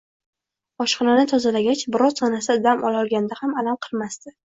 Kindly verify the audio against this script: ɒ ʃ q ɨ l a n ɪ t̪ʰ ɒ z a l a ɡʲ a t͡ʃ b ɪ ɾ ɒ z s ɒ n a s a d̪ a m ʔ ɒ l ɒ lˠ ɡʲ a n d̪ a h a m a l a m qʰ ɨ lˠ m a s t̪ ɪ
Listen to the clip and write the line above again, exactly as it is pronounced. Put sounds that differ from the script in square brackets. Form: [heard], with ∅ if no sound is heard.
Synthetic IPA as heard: ɒ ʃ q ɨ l a n ɪ t̪ʰ ɒ z a l a ɡʲ a t͡ʃ b ɪ ɾ ɒ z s ɒ n a s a d̪ a m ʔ ɒ l ɒ lˠ ɡʲ a n d̪ a h a m a l a m qʰ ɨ lˠ m a s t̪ ɪ

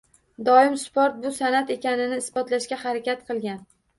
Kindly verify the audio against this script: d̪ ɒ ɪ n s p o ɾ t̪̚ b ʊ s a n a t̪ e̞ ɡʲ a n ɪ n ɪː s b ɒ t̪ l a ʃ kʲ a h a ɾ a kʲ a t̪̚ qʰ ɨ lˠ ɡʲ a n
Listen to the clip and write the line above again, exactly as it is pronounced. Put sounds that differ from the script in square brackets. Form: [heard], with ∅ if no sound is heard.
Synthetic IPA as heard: d̪ ɒ ɪ [m] s p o ɾ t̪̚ b ʊ s a n a t̪ e̞ [kʲ] a n ɪ n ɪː s b ɒ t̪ l a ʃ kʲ a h a ɾ a kʲ a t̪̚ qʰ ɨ lˠ ɡʲ a n

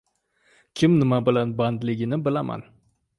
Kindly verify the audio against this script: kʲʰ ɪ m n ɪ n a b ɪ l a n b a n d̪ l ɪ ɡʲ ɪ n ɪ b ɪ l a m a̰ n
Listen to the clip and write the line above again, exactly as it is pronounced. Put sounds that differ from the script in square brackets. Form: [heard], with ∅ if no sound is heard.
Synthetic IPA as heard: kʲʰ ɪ m n ɪ [m] a b ɪ l a n b a n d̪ l ɪ ɡʲ ɪ n ɪ b ɪ l a m a̰ n

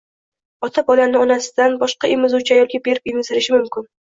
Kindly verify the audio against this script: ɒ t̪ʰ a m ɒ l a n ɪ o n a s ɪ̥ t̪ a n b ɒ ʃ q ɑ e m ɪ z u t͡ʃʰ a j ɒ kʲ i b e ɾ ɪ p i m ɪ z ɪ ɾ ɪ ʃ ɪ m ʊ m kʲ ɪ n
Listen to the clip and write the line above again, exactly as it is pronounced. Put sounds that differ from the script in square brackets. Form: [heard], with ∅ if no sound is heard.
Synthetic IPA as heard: ɒ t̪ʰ a [b] ɒ l a n ɪ [ɒ] n a s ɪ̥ [d̪] a n b ɒ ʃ q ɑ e m ɪ z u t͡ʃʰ a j ɒ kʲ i b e ɾ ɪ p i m ɪ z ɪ ɾ ɪ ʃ ɪ m ʊ m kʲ ɪ n

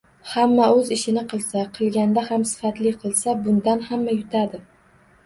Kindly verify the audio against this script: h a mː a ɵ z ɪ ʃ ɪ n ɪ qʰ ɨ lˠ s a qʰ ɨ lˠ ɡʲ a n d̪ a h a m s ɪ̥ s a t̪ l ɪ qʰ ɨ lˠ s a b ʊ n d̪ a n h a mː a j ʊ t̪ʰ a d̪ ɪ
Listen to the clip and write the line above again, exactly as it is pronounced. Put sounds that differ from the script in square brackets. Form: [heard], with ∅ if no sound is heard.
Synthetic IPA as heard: h a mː a ɵ z ɪ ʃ ɪ n ɪ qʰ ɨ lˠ s a qʰ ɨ lˠ ɡʲ a n d̪ a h a m s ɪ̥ [f] a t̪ l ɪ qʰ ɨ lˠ s a b ʊ n d̪ a n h a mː a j ʊ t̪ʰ a d̪ ɪ

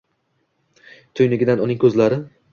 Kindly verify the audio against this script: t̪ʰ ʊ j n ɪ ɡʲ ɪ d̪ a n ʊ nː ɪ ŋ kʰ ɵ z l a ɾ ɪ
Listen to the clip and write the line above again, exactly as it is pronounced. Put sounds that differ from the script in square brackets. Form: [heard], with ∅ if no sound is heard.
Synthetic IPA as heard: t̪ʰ ʊ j n ɪ ɡʲ ɪ d̪ a n ʊ [n] ɪ ŋ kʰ ɵ z l a ɾ ɪ

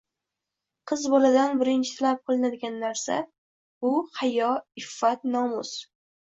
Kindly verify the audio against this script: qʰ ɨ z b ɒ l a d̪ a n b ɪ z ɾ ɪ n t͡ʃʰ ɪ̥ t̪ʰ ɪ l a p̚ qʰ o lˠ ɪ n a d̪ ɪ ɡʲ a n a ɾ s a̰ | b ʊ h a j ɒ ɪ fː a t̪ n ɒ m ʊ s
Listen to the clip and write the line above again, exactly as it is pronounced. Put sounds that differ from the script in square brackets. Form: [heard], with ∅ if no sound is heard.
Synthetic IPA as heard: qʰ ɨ z b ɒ l a d̪ a n b ɪ [∅] ɾ ɪ n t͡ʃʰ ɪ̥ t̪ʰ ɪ l a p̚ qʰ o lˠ ɪ n a d̪ ɪ ɡʲ a [nː] a ɾ s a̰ | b ʊ h a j ɒ ɪ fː a t̪ n ɒ m ʊ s

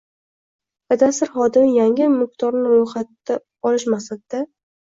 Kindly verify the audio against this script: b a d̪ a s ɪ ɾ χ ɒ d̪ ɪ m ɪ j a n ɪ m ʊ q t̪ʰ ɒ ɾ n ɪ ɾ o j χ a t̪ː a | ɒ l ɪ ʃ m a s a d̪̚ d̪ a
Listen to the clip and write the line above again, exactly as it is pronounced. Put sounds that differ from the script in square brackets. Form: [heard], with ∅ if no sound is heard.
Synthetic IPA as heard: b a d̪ a s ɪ ɾ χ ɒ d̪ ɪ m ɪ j a [ŋ] ɪ m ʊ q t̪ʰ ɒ ɾ n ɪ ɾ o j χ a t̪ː a | ɒ l ɪ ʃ m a s a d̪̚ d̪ a

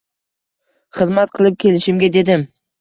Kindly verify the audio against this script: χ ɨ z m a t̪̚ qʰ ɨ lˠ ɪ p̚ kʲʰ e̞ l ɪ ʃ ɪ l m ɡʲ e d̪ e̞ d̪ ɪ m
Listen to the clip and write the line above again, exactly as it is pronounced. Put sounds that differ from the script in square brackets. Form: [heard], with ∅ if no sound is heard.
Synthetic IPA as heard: χ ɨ z m a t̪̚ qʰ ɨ lˠ ɪ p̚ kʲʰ e̞ l ɪ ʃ ɪ [∅] m ɡʲ [a] d̪ e̞ d̪ ɪ m

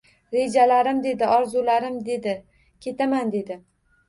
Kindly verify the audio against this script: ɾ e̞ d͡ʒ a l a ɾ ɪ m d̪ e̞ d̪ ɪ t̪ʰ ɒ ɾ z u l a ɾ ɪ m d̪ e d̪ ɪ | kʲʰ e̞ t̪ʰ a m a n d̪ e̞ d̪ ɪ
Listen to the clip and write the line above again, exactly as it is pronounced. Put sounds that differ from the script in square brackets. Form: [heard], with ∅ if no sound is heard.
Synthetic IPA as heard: ɾ e̞ d͡ʒ a l a ɾ ɪ m d̪ e̞ d̪ ɪ [∅] ɒ ɾ z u l a ɾ ɪ m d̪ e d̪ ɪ | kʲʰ e̞ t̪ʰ a m a n d̪ e̞ d̪ ɪ

